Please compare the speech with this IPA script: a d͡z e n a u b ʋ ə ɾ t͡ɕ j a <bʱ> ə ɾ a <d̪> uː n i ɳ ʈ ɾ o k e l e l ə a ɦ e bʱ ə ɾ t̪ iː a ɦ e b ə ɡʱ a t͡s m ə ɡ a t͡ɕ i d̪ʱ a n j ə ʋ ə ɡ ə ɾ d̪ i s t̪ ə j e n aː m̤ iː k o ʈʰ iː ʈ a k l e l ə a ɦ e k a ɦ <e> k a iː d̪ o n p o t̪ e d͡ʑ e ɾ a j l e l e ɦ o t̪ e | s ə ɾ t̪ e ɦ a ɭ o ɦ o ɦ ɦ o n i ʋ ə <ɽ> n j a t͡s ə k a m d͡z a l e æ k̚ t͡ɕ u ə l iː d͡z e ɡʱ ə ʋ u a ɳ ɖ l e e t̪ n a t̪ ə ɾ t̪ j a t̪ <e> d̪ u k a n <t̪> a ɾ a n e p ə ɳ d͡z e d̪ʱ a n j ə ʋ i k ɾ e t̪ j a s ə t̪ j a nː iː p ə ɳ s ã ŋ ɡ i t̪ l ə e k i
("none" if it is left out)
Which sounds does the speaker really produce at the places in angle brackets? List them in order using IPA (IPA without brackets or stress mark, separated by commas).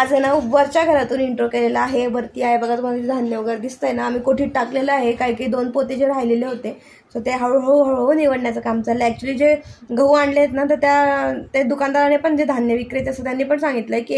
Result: ɡʱ, t̪, i, ɽ, e, d̪